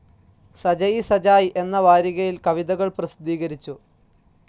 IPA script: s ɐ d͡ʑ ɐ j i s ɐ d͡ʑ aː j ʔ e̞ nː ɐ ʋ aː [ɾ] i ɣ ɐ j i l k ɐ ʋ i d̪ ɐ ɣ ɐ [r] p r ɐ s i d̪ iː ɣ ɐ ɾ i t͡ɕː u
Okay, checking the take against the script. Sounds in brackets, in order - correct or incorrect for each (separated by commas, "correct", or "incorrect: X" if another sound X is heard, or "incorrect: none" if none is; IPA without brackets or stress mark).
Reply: correct, incorrect: ɭ